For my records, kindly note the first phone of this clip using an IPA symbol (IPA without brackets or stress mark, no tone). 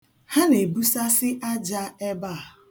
h